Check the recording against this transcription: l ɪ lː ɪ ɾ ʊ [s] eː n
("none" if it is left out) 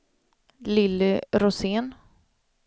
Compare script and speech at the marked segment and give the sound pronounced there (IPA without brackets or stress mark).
s